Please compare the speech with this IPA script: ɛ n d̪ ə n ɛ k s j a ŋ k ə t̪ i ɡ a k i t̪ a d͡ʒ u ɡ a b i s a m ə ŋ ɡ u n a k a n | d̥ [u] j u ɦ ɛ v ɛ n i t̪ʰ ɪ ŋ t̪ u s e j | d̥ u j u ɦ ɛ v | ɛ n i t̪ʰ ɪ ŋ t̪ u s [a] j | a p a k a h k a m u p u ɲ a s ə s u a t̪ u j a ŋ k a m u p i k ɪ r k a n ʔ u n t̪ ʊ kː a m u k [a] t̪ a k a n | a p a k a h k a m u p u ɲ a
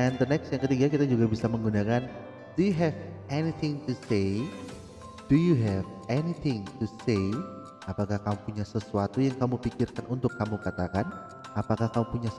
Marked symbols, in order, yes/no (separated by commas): yes, no, yes